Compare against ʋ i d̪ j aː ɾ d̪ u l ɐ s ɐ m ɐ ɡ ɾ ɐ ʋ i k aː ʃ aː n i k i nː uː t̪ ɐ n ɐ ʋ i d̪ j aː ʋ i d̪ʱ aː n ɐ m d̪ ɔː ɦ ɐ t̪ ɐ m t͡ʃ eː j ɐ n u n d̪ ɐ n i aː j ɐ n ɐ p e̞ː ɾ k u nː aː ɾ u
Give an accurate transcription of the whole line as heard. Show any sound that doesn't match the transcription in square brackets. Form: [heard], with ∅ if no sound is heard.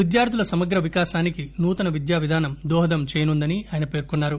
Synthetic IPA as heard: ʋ i d̪ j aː ɾ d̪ u l ɐ s ɐ m ɐ ɡ ɾ ɐ ʋ i k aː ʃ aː n i k i [n] uː t̪ ɐ n ɐ ʋ i d̪ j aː ʋ i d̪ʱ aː n ɐ m d̪ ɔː ɦ ɐ [d̪] ɐ m t͡ʃ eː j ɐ n u n d̪ ɐ n i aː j ɐ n ɐ p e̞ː ɾ k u nː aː ɾ u